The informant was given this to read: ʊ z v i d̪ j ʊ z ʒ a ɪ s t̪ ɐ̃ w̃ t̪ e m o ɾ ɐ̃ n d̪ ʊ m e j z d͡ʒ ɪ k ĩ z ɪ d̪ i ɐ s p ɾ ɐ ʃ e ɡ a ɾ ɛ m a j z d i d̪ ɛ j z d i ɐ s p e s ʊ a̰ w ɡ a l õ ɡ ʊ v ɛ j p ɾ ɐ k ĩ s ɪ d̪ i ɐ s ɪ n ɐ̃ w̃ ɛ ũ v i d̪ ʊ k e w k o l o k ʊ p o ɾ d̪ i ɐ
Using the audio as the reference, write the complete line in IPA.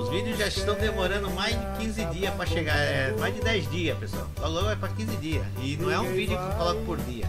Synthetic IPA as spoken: ʊ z v i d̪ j ʊ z ʒ a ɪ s t̪ ɐ̃ w̃ d̪ e m o ɾ ɐ̃ n d̪ ʊ m a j z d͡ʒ ɪ k ĩ z ɪ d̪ i ɐ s p ɾ ɐ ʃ e ɡ a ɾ ɛ m a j z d ɪ d̪ ɛ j z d i ɐ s p e s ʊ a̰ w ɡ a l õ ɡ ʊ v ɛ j p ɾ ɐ k ĩ z ɪ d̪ i ɐ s ɪ n ɐ̃ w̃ ɛ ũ v i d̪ ʊ k e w k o l ɔ k ʊ p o ɾ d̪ i ɐ